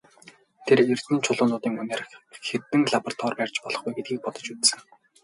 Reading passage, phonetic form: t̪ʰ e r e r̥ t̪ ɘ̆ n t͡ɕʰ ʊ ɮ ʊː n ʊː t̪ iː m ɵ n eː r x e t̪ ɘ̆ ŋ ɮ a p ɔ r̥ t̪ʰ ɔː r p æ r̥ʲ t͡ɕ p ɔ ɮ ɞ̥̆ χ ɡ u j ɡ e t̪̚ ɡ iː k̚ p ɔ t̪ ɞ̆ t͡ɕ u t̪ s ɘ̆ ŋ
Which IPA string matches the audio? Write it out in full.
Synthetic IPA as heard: t̪ʰ e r e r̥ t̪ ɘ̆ n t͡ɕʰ ʊ ɮ ʊː n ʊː t̪ iː ŋ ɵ n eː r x e t̪ ɘ̆ ŋ ɮ a p ɔ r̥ t̪ʰ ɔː r p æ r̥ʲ t͡ɕ p ɔ ɮ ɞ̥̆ χ ɡ u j ɡ e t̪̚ ɡ iː k̚ p ɔ t̪ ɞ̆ t͡ɕ u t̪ s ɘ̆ ŋ